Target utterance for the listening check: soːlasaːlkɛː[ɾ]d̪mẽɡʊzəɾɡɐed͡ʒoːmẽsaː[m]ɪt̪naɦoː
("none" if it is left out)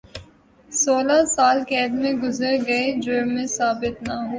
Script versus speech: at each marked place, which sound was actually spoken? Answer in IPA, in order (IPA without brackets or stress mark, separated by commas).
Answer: none, b